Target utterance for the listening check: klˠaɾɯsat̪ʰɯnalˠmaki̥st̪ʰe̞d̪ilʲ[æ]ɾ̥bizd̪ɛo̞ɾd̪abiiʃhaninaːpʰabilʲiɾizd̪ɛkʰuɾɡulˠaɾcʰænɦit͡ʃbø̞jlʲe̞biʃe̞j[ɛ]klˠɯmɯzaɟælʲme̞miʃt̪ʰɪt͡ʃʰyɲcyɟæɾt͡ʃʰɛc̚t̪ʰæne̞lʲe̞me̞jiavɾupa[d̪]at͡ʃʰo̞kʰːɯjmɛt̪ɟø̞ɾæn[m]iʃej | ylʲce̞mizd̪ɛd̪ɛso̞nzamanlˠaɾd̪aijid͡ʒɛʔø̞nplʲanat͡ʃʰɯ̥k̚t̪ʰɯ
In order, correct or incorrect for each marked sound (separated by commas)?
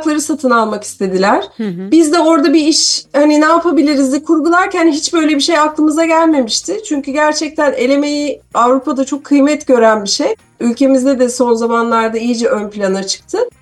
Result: correct, incorrect, correct, incorrect